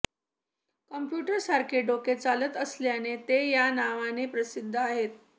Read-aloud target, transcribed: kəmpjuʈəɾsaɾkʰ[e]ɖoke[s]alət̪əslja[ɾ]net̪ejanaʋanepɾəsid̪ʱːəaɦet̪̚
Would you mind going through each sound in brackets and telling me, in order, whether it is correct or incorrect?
correct, incorrect: t͡s, incorrect: none

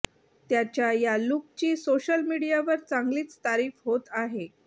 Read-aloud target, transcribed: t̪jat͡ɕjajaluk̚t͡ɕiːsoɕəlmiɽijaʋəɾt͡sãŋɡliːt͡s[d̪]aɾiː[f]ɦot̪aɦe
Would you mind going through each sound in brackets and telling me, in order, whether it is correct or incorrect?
incorrect: t̪, correct

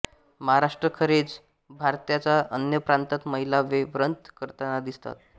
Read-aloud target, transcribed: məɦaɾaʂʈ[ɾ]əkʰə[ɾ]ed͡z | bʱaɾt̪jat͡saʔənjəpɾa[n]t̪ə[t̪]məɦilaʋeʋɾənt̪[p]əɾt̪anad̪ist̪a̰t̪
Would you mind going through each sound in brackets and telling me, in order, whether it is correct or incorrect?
correct, correct, correct, correct, incorrect: k

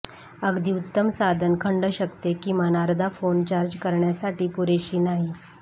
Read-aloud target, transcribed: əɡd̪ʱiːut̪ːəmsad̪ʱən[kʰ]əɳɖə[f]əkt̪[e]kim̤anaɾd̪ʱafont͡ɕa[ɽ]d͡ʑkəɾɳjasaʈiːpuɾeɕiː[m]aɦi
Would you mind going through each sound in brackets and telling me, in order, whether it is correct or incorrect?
correct, incorrect: ɕ, correct, incorrect: ɾ, incorrect: n

